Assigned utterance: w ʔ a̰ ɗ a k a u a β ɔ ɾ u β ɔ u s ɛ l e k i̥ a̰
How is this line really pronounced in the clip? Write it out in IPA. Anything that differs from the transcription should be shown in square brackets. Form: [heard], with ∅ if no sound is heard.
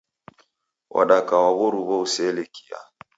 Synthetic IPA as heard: w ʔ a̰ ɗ a k a [w] a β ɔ ɾ u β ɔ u s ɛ l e k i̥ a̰

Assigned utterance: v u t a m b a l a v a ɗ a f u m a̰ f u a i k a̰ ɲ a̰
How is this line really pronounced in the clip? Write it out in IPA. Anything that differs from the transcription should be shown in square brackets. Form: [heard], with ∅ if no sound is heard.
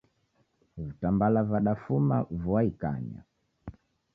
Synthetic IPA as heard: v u t a m b a l a v a ɗ a f u m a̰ [v] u a i k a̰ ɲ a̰

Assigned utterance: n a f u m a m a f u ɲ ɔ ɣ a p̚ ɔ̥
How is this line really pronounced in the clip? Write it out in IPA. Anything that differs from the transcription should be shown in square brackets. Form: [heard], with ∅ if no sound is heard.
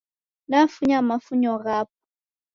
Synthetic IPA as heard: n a f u [ɲ] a m a f u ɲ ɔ ɣ a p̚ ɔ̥

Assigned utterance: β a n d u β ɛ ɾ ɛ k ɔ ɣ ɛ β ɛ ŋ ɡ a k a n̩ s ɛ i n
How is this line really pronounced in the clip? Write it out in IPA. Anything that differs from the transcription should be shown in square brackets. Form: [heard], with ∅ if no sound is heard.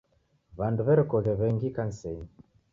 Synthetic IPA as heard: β a n d u β ɛ ɾ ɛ k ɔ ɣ ɛ β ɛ ŋ ɡ [i] k a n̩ s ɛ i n

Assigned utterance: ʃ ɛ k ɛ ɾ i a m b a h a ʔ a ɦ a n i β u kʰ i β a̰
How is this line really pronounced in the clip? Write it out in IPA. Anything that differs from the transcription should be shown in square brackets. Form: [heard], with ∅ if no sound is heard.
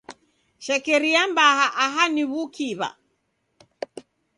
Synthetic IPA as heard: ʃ ɛ k ɛ ɾ i a m b a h a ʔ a ɦ a n i β u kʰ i β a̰

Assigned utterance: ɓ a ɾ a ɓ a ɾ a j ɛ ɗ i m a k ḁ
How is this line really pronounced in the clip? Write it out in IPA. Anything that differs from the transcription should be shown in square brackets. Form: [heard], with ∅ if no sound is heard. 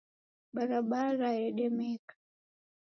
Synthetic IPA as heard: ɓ a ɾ a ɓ a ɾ a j ɛ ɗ [ɛ] m [ɛ] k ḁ

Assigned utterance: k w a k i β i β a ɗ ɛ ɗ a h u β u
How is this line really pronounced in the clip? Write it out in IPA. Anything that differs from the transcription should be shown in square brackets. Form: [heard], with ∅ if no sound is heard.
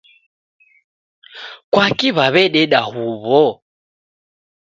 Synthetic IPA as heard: k w a k i β [a] β [ɛ] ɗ ɛ ɗ a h u β [ɔ]

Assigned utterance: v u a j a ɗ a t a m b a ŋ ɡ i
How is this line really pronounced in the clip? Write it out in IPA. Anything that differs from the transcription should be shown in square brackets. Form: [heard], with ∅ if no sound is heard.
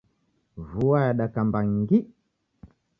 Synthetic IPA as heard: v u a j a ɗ a [k] a m b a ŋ ɡ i

